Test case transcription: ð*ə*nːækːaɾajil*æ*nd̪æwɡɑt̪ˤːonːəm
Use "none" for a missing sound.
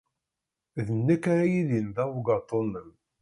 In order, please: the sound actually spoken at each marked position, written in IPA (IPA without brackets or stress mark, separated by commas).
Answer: ə, i